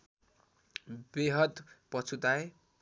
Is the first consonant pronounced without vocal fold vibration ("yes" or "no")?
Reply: no